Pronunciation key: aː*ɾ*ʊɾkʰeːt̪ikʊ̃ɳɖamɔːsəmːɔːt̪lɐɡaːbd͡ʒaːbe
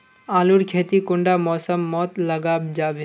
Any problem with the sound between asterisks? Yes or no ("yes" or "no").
yes